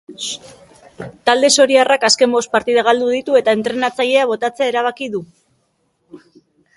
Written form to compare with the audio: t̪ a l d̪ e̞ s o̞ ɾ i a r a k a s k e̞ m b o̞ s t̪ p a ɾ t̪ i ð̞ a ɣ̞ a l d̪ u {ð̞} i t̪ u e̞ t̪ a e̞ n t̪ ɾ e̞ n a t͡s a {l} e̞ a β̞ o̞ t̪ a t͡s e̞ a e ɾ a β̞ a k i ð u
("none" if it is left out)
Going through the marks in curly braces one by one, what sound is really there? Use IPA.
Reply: ð̞, ʎ

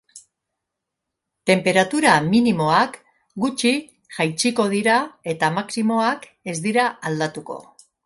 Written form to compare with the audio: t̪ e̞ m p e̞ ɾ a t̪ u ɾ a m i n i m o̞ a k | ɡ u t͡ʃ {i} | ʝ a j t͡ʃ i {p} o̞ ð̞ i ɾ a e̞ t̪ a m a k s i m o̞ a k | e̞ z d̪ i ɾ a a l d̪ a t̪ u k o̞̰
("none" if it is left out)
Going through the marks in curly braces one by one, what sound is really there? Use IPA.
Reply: i, k

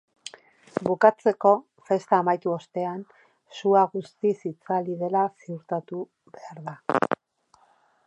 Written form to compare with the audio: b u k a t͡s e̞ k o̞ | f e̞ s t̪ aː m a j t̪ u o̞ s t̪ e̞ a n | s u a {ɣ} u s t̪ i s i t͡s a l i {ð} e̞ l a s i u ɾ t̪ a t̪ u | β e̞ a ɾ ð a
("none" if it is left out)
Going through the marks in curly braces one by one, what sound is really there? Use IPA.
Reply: ɣ, ð

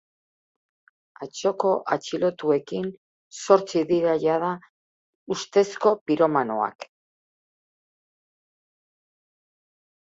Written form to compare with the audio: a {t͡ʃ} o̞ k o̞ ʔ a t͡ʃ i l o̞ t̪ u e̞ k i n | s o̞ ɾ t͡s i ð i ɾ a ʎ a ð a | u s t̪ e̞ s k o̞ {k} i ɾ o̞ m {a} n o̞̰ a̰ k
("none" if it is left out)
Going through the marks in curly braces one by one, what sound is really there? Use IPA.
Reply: t͡ʃ, p, a

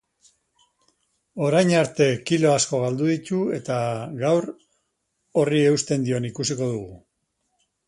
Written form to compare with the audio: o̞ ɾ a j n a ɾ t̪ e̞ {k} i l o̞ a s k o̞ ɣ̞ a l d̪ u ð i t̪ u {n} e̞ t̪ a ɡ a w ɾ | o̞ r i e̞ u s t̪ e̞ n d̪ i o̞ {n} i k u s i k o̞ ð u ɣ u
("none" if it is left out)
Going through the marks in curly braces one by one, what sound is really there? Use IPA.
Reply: k, none, n

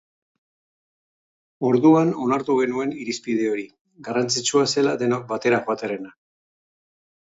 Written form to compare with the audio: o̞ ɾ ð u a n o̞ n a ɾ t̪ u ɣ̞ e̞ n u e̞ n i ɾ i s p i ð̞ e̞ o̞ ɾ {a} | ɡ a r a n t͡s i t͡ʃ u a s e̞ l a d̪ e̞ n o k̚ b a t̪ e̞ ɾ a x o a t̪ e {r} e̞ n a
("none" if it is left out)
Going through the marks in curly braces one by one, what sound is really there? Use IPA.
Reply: i, ɾ

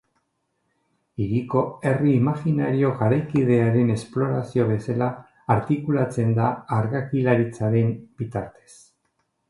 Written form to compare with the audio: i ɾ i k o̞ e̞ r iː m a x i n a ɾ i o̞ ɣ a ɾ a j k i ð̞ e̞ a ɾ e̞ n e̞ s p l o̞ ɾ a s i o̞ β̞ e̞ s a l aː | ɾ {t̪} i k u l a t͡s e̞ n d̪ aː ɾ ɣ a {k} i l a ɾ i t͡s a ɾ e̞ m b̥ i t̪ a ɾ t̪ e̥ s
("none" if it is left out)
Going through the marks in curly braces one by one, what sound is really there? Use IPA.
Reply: t̪, k

